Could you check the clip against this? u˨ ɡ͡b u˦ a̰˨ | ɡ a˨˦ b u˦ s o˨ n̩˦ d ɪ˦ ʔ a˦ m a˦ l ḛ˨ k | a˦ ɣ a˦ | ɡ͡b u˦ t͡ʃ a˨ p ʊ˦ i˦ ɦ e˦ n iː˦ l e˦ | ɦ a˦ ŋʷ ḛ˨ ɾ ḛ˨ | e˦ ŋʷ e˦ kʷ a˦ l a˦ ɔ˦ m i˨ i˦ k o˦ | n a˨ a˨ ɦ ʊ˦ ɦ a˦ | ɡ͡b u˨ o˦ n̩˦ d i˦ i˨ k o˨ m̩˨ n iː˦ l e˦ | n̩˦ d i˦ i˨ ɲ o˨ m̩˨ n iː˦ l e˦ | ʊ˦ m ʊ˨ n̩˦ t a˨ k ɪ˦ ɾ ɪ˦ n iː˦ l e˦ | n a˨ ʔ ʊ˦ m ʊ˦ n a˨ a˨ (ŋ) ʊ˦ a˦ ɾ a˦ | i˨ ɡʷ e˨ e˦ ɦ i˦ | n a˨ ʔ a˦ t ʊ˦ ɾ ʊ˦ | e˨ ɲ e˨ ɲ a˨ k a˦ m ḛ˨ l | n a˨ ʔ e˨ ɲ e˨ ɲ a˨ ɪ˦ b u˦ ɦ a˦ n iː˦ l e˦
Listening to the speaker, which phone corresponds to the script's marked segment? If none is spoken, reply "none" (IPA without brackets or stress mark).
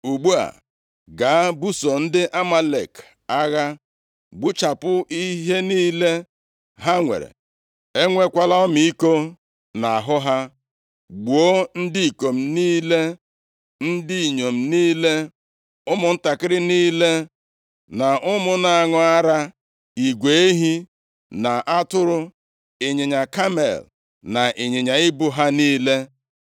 ŋ